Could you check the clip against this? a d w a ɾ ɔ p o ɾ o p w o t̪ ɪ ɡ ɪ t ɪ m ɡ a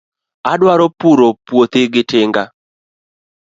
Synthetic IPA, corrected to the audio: a d w a ɾ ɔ p u ɾ o p w o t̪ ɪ ɡ ɪ t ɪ ŋ ɡ a

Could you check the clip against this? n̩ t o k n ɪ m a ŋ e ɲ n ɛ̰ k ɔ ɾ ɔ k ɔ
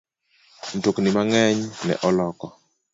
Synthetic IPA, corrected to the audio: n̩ t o k n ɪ m a ŋ ɛ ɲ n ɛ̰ ʔ ɔ l ɔ k ɔ

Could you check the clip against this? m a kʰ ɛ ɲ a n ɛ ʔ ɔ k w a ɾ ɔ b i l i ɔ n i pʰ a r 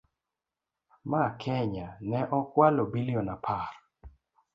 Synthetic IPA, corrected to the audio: m a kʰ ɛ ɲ a n ɛ ʔ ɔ k w a l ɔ b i l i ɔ n a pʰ a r

